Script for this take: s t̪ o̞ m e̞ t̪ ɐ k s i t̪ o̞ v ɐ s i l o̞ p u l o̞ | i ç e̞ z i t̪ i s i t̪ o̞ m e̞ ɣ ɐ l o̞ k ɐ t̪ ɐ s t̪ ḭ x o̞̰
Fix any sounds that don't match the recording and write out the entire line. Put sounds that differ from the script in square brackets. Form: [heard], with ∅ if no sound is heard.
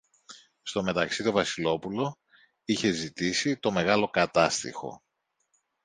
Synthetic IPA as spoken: s t̪ o̞ m e̞ t̪ ɐ k s i t̪ o̞ v ɐ s i l o̞ p u l o̞ | i ç e̞ z i t̪ i s i t̪ o̞ m e̞ ɣ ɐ l o̞ k ɐ t̪ ɐ s t̪ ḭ x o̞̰